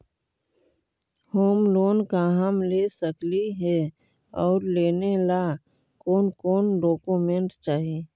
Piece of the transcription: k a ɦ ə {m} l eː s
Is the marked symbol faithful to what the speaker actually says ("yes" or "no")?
yes